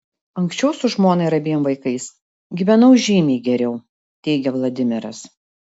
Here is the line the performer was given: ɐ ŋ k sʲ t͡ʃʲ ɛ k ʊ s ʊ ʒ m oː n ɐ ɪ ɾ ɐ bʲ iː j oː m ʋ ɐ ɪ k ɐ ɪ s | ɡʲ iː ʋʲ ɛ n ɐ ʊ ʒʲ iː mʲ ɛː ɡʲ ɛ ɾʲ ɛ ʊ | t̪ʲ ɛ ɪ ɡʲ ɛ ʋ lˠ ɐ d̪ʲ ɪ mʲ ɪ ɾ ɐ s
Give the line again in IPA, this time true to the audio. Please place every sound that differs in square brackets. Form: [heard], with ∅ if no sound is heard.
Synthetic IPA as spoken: ɐ ŋ k sʲ t͡ʃʲ ɛ [∅] ʊ s ʊ ʒ m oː n ɐ ɪ ɾ ɐ bʲ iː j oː m ʋ ɐ ɪ k ɐ ɪ s | ɡʲ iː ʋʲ ɛ n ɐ ʊ ʒʲ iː mʲ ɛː ɡʲ ɛ ɾʲ ɛ ʊ | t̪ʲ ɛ ɪ ɡʲ ɛ ʋ lˠ ɐ d̪ʲ ɪ mʲ ɪ ɾ ɐ s